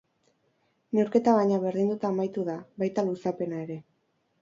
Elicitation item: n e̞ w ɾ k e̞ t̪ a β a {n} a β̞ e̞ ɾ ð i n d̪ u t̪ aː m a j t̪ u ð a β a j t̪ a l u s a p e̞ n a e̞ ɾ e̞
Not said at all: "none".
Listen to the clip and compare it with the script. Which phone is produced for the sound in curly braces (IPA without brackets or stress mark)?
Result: ɲ